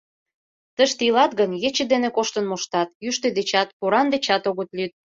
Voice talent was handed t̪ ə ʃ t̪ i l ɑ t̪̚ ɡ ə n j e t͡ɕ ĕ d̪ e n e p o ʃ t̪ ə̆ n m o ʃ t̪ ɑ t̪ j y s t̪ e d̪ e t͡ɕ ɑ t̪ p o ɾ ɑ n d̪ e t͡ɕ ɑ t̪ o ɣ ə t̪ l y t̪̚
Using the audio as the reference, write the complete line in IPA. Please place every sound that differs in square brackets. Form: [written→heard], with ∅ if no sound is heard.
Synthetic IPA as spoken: t̪ ə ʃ t̪ i l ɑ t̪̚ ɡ ə n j e t͡ɕ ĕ d̪ e n e [p→k] o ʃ t̪ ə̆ n m o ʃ t̪ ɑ t̪ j y [s→ʃ] t̪ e d̪ e t͡ɕ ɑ t̪ p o ɾ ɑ n d̪ e t͡ɕ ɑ t̪ o ɣ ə t̪ l y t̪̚